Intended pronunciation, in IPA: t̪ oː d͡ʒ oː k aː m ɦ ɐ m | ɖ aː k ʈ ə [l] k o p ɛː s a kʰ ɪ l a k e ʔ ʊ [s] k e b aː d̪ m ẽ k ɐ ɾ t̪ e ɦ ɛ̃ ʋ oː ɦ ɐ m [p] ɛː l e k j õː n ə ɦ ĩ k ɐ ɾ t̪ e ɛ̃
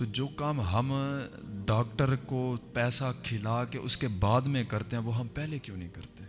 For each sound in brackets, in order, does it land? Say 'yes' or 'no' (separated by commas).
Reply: no, yes, yes